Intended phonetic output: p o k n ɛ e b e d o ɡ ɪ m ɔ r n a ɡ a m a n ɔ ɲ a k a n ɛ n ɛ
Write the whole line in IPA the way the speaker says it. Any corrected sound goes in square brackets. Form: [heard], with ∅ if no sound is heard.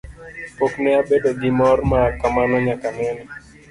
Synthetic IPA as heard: p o k n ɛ [a] b e d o ɡ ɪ m ɔ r [m] a [k] a m a n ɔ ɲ a k a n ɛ n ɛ